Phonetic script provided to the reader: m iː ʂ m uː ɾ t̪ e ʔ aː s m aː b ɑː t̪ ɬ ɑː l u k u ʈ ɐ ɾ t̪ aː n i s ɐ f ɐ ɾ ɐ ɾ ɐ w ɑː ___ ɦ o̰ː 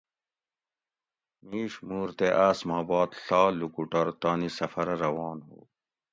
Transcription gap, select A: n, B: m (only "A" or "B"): A